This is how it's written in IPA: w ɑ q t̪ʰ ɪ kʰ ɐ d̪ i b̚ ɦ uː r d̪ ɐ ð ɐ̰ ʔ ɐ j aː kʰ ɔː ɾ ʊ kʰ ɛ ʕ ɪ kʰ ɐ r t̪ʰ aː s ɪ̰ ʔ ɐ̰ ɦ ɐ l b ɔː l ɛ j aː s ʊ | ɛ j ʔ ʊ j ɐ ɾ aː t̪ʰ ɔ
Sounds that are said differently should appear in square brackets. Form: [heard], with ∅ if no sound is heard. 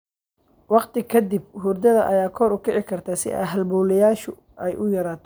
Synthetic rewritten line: w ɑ q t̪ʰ ɪ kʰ ɐ d̪ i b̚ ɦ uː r d̪ ɐ ð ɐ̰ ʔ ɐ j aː kʰ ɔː ɾ ʊ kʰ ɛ ʕ ɪ kʰ ɐ r t̪ʰ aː s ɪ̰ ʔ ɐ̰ ɦ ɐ l b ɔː l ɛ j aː [ʃ] ʊ | ɛ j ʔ ʊ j ɐ ɾ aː t̪ʰ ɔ